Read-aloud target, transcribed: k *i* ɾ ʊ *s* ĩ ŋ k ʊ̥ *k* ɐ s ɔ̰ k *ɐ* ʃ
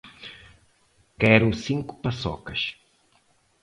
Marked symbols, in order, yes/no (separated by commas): no, yes, no, yes